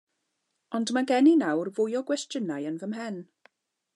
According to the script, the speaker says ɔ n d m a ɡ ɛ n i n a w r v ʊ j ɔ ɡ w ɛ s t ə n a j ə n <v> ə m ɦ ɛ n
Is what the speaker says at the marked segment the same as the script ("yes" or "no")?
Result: yes